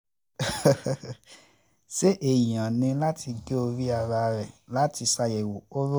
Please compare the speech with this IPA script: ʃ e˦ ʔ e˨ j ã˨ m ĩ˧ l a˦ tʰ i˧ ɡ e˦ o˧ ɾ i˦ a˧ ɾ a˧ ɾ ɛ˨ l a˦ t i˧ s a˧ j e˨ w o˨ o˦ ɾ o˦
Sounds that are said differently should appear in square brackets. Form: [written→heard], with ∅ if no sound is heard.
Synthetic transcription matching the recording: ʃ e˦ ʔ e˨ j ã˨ [m→n] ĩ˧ l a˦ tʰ i˧ ɡ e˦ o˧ ɾ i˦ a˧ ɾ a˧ ɾ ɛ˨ l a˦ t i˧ s a˧ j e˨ w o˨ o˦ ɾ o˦